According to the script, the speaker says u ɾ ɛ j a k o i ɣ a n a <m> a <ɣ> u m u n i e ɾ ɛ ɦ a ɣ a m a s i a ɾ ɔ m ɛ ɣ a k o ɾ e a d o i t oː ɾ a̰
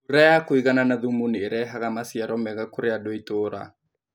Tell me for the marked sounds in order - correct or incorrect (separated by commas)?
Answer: incorrect, incorrect